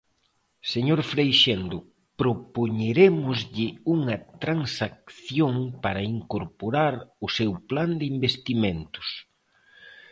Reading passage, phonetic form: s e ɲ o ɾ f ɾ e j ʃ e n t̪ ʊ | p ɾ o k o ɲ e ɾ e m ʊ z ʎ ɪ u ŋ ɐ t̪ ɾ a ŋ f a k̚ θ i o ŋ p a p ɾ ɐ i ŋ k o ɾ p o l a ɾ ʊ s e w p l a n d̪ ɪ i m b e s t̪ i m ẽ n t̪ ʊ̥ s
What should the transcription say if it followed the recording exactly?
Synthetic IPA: s e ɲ o ɾ f ɾ e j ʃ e n d̪ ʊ | p ɾ o p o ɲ e ɾ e m ʊ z ʎ ɪ u ŋ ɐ t̪ ɾ a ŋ s a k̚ θ j o ŋ p a ɾ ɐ i ŋ k o ɾ p o ɾ a ɾ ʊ s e w p l a n d̪ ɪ i m b e s t̪ i m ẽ n t̪ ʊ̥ s

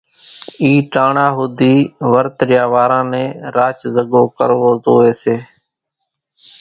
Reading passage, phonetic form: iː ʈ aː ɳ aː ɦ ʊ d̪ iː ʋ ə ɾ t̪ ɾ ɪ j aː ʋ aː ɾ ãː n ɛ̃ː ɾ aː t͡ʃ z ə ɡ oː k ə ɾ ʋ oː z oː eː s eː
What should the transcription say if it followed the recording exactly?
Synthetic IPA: iː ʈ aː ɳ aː ɦ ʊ d̪ iː ʋ ə ɾ t̪ ɾ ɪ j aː ʋ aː ɾ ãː n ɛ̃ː ɾ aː t͡ʃ z ə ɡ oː k ə ɾ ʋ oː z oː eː s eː

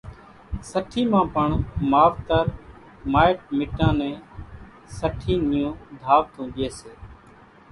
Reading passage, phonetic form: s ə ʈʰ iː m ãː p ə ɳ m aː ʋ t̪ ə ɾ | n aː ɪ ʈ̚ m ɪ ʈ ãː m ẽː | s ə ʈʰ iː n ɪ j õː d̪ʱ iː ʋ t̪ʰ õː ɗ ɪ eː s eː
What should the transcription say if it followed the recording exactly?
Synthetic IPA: s ə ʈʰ iː m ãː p ə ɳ m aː ʋ t̪ ə ɾ | m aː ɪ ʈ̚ m ɪ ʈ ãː n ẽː | s ə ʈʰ iː n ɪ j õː d̪ʱ aː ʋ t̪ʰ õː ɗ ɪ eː s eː

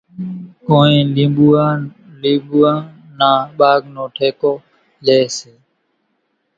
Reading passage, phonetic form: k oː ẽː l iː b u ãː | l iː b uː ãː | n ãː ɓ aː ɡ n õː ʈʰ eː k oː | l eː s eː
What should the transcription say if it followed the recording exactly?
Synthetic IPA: k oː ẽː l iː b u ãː | l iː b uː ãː | n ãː ɓ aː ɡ n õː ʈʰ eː k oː | l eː s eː

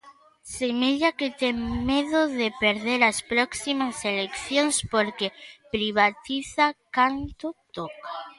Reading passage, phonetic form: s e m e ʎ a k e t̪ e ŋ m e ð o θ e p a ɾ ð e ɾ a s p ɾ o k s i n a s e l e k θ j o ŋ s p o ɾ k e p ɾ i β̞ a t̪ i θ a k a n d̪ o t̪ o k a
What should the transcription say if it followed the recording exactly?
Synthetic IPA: s e m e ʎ a k e t̪ e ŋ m e ð o ð e p e ɾ ð e ɾ a s p ɾ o k s i m a s e l e k θ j o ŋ s p o ɾ k e p ɾ i β̞ a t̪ i θ a k a n t̪ o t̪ o k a

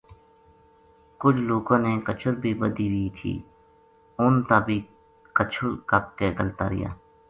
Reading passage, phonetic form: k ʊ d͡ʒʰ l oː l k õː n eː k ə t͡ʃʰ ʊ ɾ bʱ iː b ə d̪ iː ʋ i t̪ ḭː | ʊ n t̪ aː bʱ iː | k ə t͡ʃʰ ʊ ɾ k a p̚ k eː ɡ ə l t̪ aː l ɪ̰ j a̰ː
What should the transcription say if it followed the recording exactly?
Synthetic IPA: k ʊ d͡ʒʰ l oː k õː n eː k ə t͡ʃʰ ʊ ɾ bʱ iː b ə d̪ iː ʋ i t̪ʰ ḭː | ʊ n t̪ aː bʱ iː | k ə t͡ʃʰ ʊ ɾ k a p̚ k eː ɡ ə l t̪ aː ɾ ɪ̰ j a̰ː

